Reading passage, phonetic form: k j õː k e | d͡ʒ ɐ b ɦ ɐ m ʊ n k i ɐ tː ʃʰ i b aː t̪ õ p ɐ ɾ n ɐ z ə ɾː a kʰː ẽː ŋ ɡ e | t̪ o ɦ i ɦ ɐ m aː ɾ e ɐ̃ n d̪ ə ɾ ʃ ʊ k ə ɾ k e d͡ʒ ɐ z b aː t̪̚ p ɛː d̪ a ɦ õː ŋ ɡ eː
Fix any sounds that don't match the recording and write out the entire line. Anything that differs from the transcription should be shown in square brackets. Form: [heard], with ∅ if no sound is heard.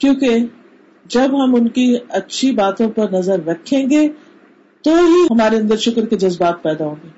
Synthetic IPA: k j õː k e | d͡ʒ ɐ b ɦ ɐ m ʊ n k i ɐ tː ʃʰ i b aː t̪ õ p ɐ ɾ n ɐ z ə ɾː [ɐ] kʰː ẽː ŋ ɡ e | t̪ o ɦ i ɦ ɐ m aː ɾ e ɐ̃ n d̪ ə ɾ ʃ ʊ k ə ɾ k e d͡ʒ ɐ z b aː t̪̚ p ɛː d̪ a ɦ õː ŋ ɡ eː